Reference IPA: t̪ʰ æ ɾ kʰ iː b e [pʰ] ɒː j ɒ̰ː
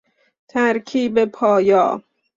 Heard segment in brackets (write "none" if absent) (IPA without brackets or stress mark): pʰ